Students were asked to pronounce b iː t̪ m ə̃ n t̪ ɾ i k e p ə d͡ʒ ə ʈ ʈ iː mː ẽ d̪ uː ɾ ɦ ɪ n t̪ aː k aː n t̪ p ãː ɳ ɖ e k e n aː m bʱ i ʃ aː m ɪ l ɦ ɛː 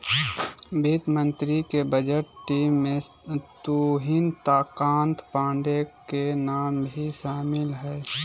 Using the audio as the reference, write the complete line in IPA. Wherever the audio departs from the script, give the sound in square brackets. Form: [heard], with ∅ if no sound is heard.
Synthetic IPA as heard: b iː t̪ m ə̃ n t̪ ɾ i k e [b] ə d͡ʒ ə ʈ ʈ iː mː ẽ [t̪] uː [∅] ɦ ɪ n t̪ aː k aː n t̪ p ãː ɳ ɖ e k e n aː m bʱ i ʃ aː m ɪ l ɦ ɛː